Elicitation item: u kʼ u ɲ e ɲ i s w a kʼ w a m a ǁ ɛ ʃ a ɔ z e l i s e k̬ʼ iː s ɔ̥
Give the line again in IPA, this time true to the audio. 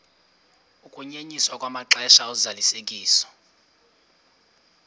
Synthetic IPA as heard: u kʼ u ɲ e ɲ i s w a kʼ w a m a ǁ ɛ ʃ a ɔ z a l i s e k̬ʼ iː s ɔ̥